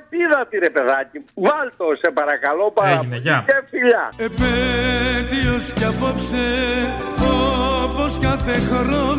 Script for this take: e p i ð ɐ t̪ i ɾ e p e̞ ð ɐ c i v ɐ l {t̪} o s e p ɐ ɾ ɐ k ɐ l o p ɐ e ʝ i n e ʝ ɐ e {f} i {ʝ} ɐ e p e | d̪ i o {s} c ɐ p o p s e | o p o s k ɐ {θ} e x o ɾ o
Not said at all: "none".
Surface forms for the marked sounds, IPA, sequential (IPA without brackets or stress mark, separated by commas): t̪, f, ʎ, s, θ